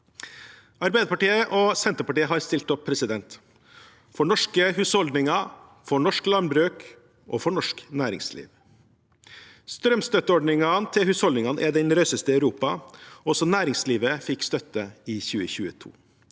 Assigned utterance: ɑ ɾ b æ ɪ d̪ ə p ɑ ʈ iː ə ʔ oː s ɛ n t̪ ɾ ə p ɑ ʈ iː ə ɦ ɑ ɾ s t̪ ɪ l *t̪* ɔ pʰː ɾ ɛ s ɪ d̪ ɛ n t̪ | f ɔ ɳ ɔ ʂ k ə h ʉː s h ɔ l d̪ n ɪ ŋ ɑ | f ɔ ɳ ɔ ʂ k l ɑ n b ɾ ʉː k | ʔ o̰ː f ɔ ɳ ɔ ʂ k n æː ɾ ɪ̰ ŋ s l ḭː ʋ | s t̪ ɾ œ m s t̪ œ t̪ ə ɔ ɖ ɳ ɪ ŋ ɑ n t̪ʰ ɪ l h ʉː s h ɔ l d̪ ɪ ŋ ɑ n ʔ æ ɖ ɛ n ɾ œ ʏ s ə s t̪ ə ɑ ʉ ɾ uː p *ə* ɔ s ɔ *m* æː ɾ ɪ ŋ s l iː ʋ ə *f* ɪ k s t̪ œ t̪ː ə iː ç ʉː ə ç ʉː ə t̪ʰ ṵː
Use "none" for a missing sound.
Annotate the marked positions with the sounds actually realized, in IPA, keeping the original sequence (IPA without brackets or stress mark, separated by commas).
t̪, ɑ, n, f